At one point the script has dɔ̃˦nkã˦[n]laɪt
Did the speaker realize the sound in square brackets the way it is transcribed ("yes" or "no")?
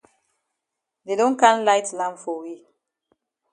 yes